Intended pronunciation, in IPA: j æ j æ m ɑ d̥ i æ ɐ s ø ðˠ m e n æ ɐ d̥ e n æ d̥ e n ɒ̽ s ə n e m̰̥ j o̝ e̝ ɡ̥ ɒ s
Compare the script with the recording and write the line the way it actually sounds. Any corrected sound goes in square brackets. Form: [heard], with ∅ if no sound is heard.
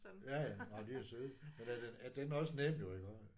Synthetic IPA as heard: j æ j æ [n] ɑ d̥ i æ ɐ s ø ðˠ m e n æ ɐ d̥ e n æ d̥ e n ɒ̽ s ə n e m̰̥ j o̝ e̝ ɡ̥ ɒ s